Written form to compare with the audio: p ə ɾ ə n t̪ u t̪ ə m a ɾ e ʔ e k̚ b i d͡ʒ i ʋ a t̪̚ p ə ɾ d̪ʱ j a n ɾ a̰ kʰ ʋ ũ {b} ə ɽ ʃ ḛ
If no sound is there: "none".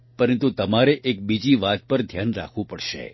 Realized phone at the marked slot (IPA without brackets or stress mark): p